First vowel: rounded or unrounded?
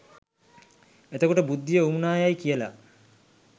unrounded